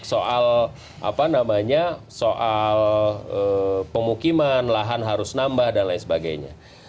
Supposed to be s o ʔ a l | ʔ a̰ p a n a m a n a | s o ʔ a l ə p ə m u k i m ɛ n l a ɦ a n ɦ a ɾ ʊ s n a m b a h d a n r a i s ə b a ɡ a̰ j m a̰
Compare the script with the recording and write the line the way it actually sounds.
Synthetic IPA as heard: s o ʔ a l | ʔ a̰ p a n a m a ɲ a | s o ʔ a l ə p ə m u k i m a n l a ɦ a n ɦ a ɾ ʊ s n a m b a h d a n l a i s ə b a ɡ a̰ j ɲ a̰